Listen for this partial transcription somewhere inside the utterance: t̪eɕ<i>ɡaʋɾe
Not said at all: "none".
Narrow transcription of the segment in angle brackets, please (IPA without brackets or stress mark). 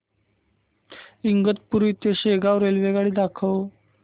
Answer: e